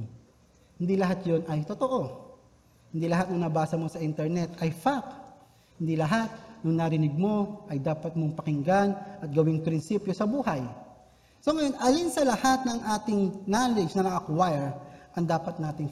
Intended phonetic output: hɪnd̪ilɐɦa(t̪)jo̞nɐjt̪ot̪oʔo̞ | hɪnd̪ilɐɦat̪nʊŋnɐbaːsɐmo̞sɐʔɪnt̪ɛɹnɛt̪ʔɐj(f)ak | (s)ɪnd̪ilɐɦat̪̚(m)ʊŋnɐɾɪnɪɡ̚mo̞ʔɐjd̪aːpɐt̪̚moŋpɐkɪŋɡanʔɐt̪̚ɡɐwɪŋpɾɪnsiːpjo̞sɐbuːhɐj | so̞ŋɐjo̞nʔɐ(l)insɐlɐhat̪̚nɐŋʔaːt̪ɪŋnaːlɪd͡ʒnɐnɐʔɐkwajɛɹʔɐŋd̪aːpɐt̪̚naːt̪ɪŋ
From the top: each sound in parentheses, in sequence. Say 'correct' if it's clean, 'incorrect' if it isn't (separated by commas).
correct, correct, incorrect, incorrect, correct